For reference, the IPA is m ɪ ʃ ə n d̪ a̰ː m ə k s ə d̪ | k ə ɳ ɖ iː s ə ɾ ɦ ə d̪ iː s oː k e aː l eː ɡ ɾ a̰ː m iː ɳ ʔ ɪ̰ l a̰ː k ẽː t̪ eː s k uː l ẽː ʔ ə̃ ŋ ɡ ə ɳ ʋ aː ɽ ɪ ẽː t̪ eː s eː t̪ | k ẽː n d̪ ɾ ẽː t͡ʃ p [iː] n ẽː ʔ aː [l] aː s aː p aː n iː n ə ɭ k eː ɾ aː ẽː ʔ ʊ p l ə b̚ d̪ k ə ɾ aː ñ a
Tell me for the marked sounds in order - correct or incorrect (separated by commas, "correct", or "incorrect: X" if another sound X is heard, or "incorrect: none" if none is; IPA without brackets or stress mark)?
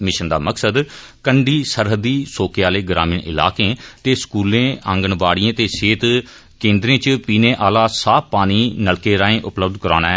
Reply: correct, correct